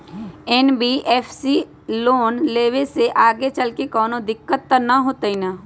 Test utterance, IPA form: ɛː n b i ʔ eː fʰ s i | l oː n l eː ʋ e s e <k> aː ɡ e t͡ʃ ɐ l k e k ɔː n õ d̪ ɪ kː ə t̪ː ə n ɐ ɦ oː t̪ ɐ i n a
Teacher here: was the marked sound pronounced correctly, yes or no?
no